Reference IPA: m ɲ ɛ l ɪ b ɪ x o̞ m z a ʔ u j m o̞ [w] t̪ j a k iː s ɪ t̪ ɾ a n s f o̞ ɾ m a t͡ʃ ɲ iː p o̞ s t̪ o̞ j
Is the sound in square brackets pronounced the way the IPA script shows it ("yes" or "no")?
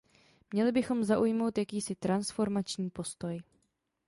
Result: yes